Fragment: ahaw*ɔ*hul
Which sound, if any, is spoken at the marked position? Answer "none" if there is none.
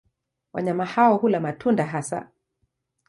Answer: ɔ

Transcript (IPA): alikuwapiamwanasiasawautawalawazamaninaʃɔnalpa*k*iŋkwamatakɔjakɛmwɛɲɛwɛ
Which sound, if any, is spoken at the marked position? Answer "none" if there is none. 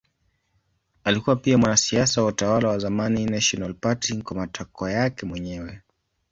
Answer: t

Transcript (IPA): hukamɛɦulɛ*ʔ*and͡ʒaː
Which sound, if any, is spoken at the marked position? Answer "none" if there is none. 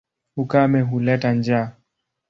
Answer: t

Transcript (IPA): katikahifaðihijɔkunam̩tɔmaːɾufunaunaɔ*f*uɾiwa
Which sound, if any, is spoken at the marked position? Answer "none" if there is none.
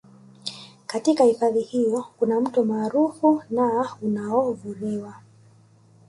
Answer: v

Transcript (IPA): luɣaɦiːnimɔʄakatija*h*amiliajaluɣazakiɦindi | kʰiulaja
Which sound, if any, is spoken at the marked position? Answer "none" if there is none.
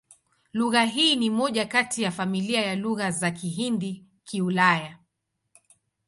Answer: f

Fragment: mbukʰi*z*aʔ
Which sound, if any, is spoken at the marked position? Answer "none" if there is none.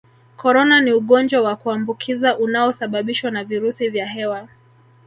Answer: z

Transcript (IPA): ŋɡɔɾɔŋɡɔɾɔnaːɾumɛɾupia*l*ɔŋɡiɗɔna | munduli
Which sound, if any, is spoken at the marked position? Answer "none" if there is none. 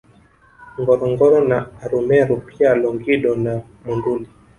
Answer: l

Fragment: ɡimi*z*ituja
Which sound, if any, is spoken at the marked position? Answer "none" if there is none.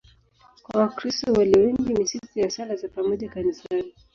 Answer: s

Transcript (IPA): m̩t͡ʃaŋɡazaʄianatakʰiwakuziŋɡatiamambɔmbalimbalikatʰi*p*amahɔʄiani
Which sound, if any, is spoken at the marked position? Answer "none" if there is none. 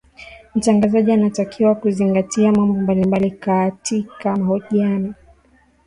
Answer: k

